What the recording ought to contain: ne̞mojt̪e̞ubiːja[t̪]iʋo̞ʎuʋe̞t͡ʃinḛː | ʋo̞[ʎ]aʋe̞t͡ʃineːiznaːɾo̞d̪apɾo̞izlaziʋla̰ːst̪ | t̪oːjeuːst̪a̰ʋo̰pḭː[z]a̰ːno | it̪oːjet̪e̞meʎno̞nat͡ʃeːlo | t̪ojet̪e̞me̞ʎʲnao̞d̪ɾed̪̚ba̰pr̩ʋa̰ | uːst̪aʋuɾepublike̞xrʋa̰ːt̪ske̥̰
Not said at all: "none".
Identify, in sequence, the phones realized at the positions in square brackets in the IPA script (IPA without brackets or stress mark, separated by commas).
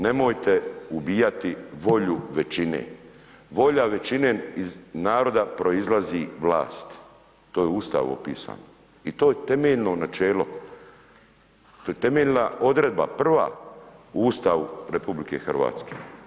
t̪, ʎ, s